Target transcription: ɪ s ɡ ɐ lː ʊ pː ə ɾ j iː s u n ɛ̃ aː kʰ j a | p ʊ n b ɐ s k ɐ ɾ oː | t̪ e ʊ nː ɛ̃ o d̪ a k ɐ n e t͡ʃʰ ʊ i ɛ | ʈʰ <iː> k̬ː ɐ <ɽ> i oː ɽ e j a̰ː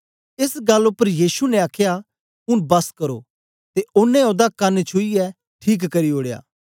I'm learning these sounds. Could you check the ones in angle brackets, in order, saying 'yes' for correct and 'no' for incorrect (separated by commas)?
yes, no